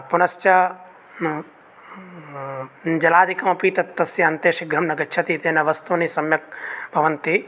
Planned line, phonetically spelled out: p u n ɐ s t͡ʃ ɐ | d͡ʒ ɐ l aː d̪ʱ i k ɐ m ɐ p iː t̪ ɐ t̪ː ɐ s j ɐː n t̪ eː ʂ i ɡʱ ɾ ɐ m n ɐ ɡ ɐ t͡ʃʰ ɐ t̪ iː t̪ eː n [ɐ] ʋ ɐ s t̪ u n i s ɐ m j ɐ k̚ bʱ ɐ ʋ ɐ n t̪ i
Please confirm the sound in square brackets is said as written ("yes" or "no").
yes